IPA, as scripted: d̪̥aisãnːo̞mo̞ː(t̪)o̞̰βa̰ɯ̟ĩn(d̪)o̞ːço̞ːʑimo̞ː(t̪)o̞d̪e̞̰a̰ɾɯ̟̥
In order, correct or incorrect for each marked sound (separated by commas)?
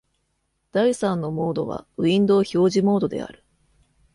incorrect, correct, incorrect